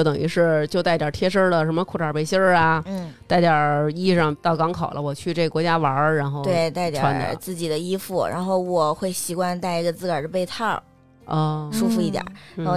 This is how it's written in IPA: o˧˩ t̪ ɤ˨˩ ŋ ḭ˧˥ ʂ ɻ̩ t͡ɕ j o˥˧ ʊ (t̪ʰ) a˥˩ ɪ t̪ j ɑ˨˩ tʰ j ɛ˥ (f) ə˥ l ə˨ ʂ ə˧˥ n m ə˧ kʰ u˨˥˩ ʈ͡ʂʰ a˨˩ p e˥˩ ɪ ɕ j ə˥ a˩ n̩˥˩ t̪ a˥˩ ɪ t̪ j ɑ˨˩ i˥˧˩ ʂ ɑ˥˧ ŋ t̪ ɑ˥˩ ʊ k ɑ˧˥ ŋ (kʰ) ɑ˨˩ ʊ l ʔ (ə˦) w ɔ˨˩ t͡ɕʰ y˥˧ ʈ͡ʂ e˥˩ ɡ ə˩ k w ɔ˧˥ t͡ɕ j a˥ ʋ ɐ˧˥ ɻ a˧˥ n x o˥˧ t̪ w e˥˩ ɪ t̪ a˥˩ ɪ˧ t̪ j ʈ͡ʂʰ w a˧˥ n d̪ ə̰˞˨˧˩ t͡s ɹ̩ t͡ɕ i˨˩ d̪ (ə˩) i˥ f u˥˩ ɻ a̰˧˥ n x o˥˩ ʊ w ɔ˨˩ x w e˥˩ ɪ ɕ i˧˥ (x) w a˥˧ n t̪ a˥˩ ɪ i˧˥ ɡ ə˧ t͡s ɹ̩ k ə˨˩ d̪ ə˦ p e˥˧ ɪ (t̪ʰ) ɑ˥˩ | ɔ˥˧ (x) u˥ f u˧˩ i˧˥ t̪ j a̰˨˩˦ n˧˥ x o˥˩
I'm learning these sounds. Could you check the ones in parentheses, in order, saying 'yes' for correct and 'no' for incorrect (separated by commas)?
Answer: no, no, yes, yes, no, no, yes, no